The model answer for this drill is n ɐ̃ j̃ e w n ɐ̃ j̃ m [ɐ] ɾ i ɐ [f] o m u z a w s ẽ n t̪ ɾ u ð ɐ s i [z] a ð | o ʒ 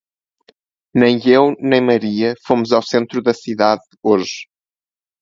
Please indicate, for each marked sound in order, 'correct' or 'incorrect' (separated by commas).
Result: correct, correct, incorrect